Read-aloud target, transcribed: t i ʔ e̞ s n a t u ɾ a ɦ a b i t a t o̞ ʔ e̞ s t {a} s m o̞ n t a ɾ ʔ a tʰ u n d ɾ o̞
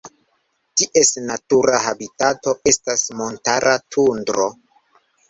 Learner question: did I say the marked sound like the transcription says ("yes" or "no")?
yes